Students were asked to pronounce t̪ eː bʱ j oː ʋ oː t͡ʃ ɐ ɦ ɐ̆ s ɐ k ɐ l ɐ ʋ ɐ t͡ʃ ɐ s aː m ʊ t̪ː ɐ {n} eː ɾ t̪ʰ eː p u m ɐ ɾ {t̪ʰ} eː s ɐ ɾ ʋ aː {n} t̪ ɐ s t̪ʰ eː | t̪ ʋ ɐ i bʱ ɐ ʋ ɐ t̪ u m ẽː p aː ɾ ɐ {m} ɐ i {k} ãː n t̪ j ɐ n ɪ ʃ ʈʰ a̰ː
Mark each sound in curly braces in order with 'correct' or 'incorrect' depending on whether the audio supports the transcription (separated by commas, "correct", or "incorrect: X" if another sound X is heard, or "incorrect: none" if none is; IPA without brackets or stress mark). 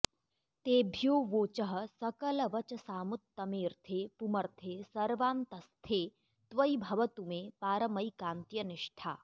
incorrect: m, correct, correct, correct, correct